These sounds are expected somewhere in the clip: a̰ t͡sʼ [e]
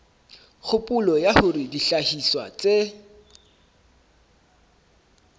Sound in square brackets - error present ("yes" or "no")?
no